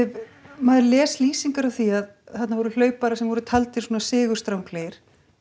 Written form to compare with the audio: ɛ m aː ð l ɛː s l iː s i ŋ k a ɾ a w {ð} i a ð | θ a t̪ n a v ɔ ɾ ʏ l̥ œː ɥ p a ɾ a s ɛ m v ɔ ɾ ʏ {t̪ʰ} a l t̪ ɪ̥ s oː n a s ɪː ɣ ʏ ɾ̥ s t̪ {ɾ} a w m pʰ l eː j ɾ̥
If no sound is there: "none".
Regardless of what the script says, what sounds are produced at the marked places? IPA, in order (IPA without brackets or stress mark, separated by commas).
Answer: θ, t̪ʰ, ɾ